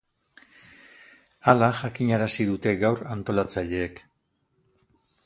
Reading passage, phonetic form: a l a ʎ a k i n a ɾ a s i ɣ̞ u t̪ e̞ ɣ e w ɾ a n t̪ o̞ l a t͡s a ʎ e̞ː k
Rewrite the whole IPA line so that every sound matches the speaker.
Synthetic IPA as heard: a l a ʝ a k i ɲ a ɾ a s i ð̞ u t̪ e̞ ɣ a w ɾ a n t̪ o̞ l a t͡s a ʎ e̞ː k